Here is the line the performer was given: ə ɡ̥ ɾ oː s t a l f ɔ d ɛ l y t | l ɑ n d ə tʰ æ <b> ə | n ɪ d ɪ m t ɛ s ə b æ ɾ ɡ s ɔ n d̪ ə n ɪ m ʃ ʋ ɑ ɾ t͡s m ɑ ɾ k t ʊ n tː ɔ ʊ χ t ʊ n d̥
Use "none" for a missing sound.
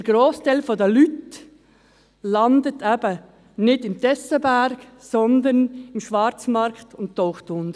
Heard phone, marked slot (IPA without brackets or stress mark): b